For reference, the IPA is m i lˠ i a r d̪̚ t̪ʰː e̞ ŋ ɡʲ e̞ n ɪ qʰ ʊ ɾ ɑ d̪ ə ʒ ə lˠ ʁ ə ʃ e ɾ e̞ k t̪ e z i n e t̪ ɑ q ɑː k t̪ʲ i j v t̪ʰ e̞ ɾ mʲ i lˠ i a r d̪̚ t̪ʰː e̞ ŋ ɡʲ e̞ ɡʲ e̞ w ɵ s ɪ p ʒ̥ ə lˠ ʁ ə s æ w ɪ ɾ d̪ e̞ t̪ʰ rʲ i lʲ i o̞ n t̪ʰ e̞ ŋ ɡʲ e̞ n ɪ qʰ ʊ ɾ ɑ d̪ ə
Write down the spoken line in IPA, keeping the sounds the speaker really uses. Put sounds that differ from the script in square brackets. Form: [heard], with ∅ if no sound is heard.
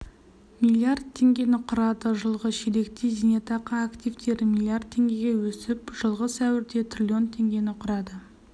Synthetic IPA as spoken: m i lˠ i a r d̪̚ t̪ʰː e̞ ŋ ɡʲ e̞ n ɪ qʰ ʊ ɾ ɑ d̪ ə ʒ ə lˠ ʁ ə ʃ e ɾ e̞ k t̪ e z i n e t̪ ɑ q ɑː k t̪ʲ i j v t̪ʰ e̞ ɾ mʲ i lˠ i a r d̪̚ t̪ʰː e̞ ŋ ɡʲ e̞ ɡʲ e̞ w ɵ s ɪ p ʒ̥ ə lˠ ʁ ə s æ w ɪ ɾ d̪ e̞ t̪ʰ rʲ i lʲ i o̞ n t̪ʰ e̞ ŋ ɡʲ e̞ n ɪ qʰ ʊ ɾ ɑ d̪ ə